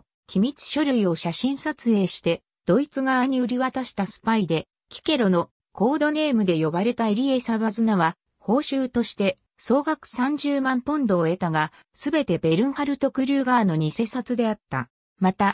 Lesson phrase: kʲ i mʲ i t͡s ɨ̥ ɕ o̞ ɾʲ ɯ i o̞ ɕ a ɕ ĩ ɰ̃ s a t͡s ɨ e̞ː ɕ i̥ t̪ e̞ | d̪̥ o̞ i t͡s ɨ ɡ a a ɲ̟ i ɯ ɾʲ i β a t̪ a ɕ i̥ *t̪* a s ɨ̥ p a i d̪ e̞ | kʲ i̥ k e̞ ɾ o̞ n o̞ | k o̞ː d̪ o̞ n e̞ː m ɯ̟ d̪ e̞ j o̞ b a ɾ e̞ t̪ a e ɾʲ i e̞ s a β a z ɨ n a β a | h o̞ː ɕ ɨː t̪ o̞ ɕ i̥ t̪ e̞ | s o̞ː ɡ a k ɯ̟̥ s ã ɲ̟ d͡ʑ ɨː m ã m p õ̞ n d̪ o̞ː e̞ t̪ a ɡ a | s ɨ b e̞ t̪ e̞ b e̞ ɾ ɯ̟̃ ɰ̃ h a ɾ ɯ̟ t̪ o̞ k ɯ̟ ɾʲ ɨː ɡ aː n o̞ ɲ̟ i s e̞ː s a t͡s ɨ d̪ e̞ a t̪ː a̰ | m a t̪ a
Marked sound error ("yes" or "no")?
no